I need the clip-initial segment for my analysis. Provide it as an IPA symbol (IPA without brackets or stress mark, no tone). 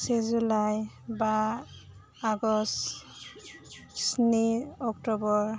s